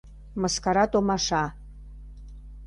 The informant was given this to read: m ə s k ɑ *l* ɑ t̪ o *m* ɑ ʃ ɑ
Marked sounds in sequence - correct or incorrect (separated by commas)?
incorrect, correct